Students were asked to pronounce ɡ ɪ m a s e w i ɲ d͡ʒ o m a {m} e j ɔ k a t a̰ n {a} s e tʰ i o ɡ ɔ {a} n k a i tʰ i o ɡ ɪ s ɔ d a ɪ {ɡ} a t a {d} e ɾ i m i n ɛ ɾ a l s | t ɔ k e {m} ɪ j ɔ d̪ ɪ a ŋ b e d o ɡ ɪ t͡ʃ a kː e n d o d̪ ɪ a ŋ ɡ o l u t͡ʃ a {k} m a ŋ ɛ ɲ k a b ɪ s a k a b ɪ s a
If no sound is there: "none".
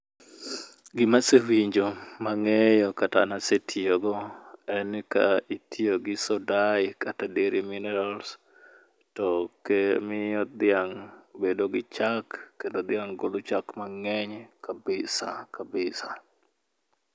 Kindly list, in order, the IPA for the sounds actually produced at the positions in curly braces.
ŋ, a, ɛ, k, d, m, k

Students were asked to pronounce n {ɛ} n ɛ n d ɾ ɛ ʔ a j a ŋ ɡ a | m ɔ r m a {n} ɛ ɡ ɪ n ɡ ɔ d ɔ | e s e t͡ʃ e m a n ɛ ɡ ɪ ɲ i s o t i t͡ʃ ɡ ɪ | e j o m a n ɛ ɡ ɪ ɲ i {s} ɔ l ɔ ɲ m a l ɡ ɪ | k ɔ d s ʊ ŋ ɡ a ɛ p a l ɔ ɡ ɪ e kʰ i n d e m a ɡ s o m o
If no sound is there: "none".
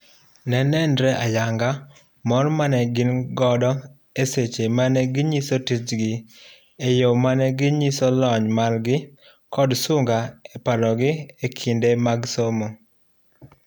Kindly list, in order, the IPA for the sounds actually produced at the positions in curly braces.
ɛ, n, s

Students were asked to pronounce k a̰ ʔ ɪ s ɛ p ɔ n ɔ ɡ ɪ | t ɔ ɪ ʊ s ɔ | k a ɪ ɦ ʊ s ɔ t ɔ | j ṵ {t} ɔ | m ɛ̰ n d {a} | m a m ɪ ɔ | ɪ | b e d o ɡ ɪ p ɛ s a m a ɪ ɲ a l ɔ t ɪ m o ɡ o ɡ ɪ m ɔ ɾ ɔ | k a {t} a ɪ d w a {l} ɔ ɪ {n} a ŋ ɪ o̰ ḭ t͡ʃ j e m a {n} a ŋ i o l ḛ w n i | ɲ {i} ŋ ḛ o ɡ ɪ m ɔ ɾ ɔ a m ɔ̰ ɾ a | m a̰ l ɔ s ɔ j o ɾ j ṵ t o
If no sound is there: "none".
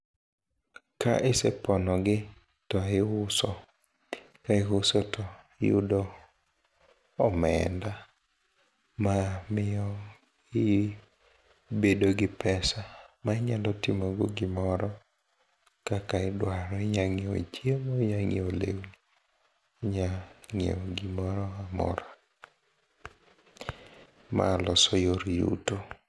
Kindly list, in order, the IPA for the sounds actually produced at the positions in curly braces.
d, a, k, ɾ, ɲ, ɲ, a

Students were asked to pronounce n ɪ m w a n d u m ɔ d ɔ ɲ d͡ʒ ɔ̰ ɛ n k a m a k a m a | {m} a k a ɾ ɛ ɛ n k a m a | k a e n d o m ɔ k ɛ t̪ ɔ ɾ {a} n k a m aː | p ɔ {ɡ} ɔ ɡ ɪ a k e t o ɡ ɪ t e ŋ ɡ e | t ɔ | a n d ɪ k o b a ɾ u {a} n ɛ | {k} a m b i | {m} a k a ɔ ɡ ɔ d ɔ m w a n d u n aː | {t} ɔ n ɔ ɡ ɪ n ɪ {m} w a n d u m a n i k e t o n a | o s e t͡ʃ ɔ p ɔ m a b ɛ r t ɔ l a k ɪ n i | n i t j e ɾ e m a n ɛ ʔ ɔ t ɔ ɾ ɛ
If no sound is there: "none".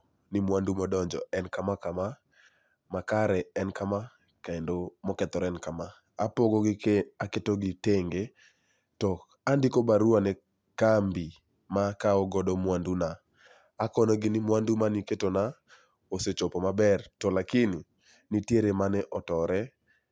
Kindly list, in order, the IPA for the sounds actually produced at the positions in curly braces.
m, ɛ, ɡ, a, k, m, k, m

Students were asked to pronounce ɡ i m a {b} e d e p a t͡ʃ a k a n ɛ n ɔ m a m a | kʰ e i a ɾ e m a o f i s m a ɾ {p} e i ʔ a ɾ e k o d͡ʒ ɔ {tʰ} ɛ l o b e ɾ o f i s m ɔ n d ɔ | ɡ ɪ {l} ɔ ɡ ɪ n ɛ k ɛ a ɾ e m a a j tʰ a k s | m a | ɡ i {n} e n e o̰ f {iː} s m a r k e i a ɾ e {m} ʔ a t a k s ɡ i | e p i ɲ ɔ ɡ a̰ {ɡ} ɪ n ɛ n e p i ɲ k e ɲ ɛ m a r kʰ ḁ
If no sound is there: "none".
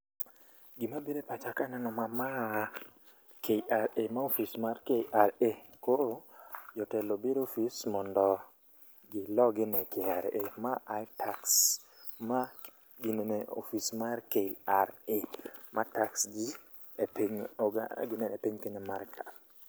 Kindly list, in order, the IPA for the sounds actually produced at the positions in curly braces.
b, k, t, l, n, i, m, ɡ

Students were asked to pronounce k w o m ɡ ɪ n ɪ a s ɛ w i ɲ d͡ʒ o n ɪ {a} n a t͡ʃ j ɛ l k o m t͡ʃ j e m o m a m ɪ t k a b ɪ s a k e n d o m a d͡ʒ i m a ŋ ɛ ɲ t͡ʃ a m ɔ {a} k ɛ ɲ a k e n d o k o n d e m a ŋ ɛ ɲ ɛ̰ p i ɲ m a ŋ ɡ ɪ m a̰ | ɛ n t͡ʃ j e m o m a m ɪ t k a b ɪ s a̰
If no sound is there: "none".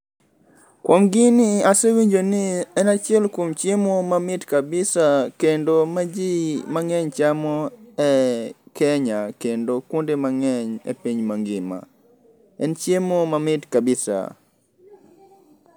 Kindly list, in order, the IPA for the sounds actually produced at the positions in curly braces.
ɛ, ɛ

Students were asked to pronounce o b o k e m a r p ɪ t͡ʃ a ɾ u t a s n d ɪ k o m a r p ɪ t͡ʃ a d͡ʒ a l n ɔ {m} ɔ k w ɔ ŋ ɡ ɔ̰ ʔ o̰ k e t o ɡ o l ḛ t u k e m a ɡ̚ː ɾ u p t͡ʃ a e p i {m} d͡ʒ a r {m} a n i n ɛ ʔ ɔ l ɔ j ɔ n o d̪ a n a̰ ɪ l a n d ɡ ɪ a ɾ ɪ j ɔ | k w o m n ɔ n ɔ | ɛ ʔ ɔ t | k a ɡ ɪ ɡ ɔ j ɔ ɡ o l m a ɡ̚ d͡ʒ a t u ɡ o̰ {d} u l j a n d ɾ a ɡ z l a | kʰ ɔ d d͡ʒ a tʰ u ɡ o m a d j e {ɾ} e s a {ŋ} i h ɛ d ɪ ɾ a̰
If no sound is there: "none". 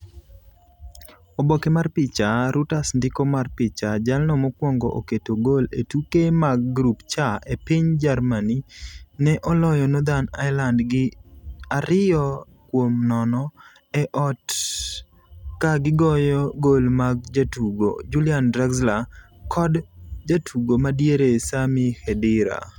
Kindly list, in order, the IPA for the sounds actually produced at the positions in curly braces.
m, ɲ, m, d͡ʒ, ɾ, m

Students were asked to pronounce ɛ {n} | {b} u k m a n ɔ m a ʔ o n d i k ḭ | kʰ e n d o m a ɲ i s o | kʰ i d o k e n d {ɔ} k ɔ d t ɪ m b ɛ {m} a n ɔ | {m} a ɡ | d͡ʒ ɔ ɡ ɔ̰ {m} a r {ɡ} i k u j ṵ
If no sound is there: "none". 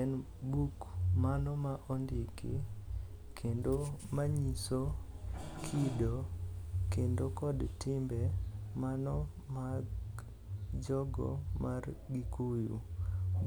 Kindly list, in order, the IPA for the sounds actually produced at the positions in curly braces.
n, b, o, m, m, m, ɡ

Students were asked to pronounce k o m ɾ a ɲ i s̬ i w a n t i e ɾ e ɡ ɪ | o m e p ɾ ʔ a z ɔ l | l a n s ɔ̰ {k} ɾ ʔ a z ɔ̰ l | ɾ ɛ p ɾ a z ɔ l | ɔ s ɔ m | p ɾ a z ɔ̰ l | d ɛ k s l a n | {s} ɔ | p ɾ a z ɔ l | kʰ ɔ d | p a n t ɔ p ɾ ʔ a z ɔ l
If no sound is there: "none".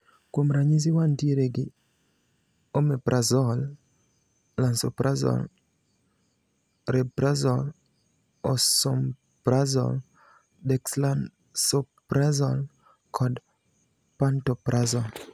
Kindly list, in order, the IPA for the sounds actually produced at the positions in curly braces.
p, s

